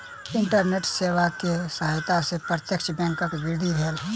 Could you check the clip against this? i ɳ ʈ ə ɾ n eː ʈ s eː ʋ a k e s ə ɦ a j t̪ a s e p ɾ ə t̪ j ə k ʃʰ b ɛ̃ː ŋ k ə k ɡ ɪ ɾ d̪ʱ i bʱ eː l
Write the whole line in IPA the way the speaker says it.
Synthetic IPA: ɪ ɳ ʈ ə ɾ n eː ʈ s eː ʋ a k e s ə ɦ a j t̪ a s e p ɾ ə t̪ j ə k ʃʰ b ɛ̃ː ŋ k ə k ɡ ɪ ɾ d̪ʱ i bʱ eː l

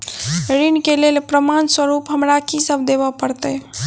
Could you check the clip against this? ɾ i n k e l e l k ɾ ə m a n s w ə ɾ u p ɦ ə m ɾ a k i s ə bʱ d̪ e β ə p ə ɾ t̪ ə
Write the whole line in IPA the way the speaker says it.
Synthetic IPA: ɾ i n k e l e l p ɾ ə m a n s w ə ɾ u p ɦ ə m ɾ a k i s ə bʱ d̪ e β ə p ə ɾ t̪ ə

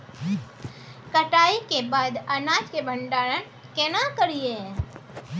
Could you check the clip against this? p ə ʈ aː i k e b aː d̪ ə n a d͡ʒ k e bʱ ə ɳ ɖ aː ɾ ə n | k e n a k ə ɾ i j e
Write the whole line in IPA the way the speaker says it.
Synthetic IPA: k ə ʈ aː i k e b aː d̪ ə n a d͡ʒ k e bʱ ə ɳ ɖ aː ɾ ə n | k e n a k ə ɾ i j e

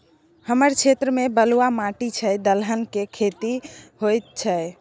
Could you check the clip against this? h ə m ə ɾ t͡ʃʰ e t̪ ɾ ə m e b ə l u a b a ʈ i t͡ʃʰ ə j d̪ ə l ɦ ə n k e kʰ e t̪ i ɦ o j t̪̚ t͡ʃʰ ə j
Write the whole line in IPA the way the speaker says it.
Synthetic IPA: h ə m ə ɾ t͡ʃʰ e t̪ ɾ ə m e b ə l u a m a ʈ i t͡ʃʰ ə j d̪ ə l ɦ ə n k e kʰ e t̪ i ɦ o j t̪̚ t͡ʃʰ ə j

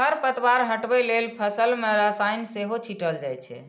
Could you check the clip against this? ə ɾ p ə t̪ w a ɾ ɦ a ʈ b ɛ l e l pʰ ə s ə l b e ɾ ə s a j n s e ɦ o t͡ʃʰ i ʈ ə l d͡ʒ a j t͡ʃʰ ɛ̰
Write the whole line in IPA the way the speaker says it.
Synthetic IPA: ə ɾ p ə t̪ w a ɾ ɦ ə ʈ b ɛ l e l pʰ ə s ə l m e ɾ ə s a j n s e ɦ o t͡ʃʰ i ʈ ə l d͡ʒ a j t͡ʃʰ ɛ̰

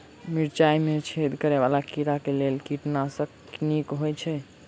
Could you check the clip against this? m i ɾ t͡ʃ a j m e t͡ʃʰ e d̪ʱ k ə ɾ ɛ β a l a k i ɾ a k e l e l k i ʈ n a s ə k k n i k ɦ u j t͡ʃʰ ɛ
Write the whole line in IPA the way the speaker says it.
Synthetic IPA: m i ɾ t͡ʃ a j m e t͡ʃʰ e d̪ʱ k ə ɾ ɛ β a l a k i ɾ a k e l e l k i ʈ n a s ə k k n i k ɦ o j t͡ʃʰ ɛ

